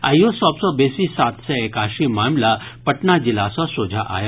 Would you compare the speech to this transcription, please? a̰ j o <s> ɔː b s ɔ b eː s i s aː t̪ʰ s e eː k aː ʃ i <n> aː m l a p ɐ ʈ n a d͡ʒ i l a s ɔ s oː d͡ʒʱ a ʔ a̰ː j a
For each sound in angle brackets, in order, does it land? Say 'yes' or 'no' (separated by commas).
yes, no